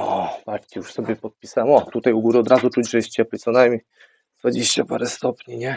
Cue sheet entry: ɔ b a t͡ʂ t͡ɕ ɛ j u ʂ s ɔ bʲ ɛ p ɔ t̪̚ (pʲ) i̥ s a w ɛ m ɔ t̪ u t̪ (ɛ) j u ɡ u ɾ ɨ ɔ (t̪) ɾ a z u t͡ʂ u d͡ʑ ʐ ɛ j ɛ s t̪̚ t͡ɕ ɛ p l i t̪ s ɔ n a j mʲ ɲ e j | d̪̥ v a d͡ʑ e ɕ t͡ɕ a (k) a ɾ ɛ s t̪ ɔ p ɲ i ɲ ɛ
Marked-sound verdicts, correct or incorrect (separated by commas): correct, incorrect, incorrect, incorrect